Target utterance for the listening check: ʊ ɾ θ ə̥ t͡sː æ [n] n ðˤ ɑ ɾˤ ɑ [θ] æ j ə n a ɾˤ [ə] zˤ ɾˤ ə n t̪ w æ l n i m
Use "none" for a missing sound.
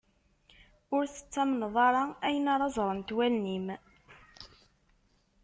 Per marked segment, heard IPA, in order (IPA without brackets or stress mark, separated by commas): m, none, ɑ